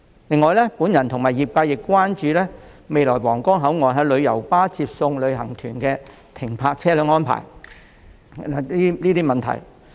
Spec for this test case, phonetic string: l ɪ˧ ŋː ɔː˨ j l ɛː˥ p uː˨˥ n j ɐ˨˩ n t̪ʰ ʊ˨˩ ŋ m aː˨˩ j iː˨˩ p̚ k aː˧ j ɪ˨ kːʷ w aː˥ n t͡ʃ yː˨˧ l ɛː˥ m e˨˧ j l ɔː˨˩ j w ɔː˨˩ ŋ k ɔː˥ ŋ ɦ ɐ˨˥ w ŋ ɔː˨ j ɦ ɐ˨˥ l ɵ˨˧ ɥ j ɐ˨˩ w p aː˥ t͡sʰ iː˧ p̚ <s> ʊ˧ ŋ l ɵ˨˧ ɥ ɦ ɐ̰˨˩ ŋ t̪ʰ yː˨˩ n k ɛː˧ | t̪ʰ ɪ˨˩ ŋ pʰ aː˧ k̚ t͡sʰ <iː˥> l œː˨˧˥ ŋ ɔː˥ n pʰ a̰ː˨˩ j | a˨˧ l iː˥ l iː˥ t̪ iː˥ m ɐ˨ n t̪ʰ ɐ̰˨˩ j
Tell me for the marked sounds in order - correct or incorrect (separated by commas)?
correct, incorrect